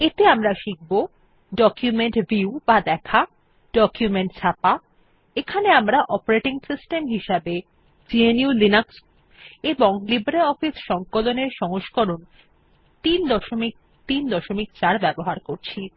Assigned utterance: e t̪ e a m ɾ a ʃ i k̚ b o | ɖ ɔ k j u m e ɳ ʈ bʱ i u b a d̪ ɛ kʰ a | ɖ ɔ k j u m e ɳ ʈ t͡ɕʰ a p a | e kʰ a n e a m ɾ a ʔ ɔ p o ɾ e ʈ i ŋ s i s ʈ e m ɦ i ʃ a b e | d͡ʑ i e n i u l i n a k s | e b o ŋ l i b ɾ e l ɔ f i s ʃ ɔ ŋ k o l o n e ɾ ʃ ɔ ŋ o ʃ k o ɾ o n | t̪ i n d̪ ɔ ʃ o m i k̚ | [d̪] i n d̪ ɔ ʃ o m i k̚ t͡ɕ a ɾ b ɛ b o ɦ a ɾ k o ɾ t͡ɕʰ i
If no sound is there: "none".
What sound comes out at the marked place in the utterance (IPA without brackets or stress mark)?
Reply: t̪